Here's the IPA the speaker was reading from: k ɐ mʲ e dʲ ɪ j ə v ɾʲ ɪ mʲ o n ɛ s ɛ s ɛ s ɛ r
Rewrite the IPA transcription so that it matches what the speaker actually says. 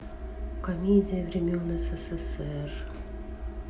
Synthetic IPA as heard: k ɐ mʲ e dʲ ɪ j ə v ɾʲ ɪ mʲ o n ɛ s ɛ s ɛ s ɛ r